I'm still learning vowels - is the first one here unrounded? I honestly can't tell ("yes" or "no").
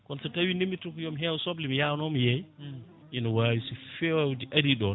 no